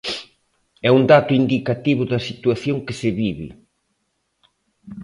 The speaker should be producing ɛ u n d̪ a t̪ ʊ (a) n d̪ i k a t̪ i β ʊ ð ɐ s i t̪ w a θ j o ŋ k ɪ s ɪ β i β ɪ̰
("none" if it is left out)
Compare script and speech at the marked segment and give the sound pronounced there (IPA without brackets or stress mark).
i